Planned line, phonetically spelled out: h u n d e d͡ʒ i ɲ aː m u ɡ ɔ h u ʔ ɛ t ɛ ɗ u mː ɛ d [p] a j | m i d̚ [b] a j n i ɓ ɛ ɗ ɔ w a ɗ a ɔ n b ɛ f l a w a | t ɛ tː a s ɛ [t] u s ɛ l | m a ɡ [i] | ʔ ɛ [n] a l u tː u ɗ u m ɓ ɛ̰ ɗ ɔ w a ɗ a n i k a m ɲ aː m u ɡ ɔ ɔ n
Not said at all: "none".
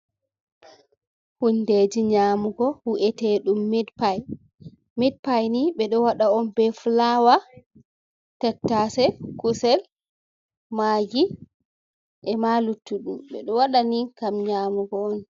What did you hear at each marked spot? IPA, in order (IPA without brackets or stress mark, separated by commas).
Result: p, p, k, i, m